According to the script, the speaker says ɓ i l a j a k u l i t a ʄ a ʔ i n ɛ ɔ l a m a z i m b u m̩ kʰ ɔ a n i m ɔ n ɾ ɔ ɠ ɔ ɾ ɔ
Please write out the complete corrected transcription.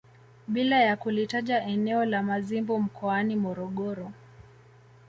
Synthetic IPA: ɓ i l a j a k u l i t a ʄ a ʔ ɛ n ɛ ɔ l a m a z i m b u m̩ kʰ ɔ a n i m ɔ ɾ ɔ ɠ ɔ ɾ ɔ